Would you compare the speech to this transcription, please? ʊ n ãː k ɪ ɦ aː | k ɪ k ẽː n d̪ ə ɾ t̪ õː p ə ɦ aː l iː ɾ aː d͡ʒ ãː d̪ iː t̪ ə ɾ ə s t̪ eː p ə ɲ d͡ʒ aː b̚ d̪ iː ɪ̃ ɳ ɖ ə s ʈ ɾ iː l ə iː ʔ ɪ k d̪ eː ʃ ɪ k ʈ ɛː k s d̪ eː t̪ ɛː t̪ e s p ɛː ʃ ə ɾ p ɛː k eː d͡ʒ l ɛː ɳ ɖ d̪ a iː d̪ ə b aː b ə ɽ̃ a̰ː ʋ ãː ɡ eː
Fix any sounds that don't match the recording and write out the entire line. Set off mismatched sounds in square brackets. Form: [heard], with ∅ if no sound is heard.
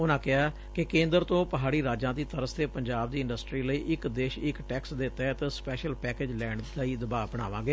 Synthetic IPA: ʊ n ãː k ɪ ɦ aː | k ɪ k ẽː n d̪ ə ɾ t̪ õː p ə ɦ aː [ɽ] iː ɾ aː d͡ʒ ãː d̪ iː t̪ ə ɾ ə s t̪ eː p ə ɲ d͡ʒ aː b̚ d̪ iː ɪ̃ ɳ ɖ ə s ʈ ɾ iː l ə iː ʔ ɪ k d̪ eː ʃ ɪ k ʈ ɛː k s d̪ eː t̪ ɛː t̪ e s p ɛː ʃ ə [l] p ɛː k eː d͡ʒ l ɛː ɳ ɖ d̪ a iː d̪ ə b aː b ə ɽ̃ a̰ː ʋ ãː ɡ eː